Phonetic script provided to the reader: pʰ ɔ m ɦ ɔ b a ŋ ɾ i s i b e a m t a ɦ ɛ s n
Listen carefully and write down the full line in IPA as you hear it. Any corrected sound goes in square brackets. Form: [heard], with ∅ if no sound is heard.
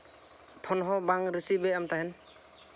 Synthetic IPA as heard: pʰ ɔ [n] ɦ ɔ b a ŋ ɾ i s i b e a m t a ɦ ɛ [∅] n